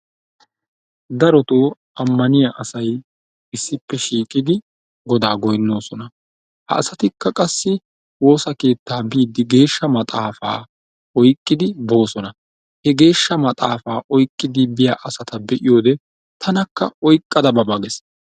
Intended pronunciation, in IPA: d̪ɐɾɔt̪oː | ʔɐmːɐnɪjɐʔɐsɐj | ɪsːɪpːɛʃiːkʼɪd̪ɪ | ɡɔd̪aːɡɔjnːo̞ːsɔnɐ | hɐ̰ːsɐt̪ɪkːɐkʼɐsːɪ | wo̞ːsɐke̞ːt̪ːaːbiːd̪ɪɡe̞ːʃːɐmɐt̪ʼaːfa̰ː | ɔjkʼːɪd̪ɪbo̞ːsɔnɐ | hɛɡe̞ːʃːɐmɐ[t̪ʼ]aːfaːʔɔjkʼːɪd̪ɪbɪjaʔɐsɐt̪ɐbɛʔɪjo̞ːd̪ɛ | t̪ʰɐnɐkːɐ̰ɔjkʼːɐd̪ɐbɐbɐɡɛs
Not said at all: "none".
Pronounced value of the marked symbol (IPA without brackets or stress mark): t̪ʼ